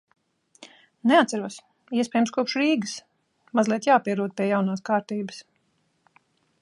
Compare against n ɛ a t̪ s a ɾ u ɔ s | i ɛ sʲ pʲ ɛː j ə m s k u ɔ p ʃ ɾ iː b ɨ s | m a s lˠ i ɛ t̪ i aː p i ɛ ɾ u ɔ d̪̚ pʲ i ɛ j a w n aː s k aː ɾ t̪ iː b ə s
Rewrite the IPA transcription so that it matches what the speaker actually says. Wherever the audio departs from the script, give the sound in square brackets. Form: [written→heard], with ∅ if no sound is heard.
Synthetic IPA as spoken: n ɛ a t̪ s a ɾ u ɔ s | i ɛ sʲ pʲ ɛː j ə m s k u ɔ p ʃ ɾ iː [b→ɡ] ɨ s | m a [s→z] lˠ i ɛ t̪ [i→j] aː p i ɛ ɾ u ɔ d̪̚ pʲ i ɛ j a w n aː s k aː ɾ t̪ iː b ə s